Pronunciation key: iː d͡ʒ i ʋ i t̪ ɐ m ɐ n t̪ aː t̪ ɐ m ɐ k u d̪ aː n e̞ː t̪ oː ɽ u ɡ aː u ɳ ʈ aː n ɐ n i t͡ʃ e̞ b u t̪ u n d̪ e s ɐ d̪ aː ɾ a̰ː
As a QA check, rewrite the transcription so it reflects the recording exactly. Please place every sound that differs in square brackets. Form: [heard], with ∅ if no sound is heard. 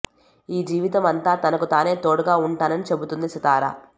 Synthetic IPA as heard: iː d͡ʒ [iː] ʋ i t̪ ɐ m ɐ n t̪ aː t̪ ɐ [n] ɐ k u [t̪] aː n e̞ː t̪ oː ɽ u ɡ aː u ɳ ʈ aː n ɐ n i t͡ʃ e̞ b u t̪ u n d̪ [i] s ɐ [t̪] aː ɾ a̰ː